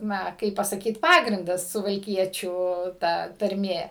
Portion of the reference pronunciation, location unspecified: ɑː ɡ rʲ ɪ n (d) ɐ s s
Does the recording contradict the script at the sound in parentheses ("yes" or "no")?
no